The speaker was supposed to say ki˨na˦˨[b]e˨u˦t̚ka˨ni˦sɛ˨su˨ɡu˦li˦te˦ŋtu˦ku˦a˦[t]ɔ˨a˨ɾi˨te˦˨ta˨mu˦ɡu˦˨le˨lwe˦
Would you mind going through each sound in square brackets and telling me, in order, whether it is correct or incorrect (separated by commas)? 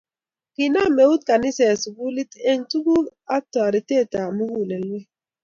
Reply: incorrect, correct